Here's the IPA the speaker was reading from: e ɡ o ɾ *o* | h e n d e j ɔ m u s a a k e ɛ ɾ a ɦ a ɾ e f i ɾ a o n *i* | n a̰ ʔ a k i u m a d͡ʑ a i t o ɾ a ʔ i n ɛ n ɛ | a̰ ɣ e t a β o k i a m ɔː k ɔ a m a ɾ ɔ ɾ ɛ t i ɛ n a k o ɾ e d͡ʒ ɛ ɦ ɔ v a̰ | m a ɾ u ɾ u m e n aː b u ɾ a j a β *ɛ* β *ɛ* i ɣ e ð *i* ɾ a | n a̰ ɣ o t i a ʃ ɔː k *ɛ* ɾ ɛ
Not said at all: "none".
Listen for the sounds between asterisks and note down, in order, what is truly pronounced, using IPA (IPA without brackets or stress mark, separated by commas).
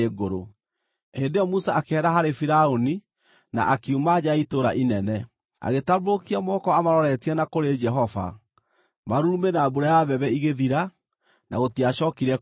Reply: o, i, ɛ, ɛ, i, i